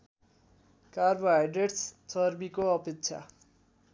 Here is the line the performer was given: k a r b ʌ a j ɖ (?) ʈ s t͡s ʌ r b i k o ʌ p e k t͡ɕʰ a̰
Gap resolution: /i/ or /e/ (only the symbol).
e